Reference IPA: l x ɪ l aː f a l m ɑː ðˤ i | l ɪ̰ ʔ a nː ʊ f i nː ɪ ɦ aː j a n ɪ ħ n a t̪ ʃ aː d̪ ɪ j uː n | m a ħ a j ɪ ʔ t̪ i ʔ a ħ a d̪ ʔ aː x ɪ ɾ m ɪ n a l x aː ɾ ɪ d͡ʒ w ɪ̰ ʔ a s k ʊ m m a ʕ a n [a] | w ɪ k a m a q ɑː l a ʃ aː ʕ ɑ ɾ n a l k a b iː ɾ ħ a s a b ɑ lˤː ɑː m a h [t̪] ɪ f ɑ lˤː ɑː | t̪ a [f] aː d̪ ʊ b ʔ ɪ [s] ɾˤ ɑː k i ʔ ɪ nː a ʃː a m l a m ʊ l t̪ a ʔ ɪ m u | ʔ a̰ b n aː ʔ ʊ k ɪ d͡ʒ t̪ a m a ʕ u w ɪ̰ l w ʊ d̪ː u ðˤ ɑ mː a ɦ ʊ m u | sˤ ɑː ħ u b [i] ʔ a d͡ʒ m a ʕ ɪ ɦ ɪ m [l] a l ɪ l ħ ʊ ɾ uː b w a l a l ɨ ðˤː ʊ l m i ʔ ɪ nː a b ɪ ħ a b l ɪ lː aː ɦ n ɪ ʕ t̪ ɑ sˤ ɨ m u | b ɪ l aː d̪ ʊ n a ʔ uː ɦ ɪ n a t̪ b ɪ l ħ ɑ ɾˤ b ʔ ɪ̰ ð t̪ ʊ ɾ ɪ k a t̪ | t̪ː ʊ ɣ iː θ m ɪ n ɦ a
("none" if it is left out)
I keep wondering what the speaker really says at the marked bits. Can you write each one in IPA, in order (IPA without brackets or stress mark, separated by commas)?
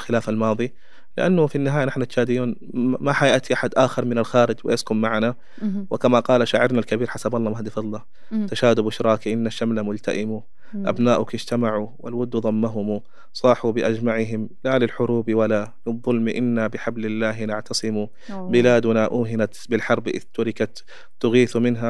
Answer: a, d̪, ʃ, ʃ, ɪ, l